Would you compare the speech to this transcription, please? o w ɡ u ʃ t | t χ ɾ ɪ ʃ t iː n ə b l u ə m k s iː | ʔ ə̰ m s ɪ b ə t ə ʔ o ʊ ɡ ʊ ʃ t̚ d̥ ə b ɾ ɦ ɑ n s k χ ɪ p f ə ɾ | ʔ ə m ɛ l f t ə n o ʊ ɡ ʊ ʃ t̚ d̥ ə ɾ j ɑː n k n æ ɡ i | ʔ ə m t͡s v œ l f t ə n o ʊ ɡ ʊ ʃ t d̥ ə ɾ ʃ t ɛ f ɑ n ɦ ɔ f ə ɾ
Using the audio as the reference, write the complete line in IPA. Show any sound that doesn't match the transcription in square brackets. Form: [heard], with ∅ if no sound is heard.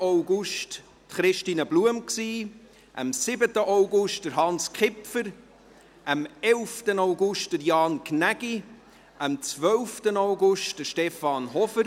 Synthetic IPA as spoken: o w ɡ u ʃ t | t χ ɾ ɪ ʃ t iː n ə b l u ə m k s iː | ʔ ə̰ m s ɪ b ə t ə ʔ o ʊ ɡ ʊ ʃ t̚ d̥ ə [∅] ɾ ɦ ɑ n s k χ ɪ p f ə ɾ | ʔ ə m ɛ l f t ə n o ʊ ɡ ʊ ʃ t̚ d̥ ə ɾ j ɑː n k n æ ɡ i | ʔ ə m t͡s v œ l f t ə n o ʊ ɡ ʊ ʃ t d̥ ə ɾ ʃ t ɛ f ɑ n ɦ ɔ f ə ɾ